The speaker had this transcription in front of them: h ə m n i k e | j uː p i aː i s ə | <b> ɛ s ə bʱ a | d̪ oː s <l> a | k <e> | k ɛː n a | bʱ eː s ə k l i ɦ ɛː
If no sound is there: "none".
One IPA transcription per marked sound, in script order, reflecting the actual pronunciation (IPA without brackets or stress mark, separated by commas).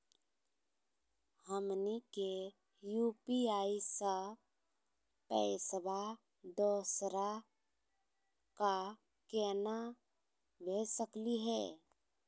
p, ɾ, a